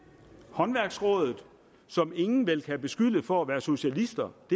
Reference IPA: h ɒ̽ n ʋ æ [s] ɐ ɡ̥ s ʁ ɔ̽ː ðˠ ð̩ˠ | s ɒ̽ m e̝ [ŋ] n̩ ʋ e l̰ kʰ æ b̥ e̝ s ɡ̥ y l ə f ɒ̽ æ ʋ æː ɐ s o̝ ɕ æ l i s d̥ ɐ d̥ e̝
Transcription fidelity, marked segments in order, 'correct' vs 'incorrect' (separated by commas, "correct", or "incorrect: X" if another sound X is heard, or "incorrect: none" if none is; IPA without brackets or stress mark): incorrect: none, correct